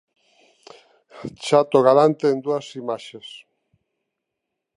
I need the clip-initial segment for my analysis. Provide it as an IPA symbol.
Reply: t͡ʃ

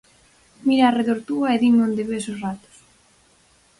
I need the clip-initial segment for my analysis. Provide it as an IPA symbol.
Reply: m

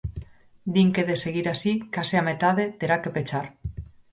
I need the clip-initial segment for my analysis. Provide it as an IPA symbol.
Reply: d̪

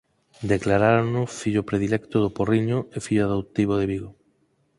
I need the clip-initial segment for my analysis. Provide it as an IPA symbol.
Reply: d̪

